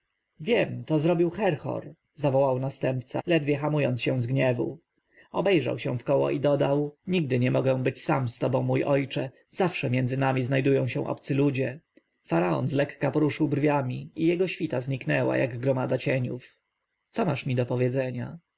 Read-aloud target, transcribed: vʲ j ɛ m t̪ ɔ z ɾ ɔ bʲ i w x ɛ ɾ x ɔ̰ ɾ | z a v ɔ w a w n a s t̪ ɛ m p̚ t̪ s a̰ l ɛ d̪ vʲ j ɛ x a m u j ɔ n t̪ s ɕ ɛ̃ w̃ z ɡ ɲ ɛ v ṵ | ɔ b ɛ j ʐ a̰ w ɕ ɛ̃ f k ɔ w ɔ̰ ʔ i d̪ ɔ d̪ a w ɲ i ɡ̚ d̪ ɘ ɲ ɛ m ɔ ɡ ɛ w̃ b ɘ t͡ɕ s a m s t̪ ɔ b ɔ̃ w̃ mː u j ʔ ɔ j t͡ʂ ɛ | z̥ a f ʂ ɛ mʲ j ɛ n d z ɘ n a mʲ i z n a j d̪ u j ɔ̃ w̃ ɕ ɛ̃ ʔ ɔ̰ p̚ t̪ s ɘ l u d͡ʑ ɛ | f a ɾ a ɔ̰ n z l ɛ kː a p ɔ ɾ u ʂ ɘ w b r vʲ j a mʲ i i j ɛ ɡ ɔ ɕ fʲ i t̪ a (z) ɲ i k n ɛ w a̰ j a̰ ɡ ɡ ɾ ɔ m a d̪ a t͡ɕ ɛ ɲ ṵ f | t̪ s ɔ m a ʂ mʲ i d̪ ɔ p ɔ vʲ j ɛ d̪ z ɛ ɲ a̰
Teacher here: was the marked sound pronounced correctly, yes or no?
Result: yes